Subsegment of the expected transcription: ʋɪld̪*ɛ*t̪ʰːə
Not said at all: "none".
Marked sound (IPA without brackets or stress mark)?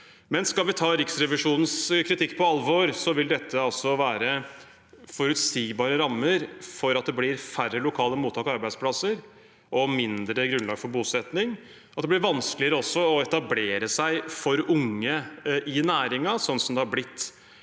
ɛ